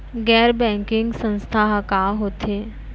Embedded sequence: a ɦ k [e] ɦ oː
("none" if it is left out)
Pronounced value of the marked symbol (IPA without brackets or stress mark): a